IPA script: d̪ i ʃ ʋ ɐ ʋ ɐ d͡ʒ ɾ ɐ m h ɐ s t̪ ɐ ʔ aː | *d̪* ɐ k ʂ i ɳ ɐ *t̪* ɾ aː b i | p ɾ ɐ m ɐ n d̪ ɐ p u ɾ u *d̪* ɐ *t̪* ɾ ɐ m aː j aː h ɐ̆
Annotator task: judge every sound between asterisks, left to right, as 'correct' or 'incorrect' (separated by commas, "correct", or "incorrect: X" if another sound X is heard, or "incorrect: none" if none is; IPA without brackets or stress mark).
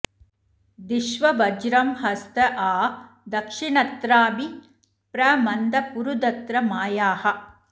correct, correct, correct, correct